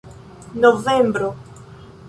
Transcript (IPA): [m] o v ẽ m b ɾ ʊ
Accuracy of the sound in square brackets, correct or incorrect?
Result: incorrect